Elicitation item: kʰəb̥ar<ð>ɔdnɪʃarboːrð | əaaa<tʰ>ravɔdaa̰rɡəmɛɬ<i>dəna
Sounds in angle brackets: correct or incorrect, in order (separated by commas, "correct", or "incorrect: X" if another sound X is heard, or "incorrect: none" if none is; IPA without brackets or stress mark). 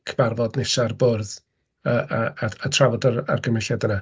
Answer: incorrect: v, correct, incorrect: a